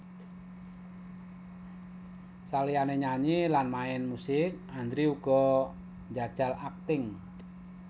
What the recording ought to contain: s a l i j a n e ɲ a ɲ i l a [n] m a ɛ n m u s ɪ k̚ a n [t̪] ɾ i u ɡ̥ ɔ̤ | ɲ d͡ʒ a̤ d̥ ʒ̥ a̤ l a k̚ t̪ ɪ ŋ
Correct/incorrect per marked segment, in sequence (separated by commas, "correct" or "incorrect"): correct, incorrect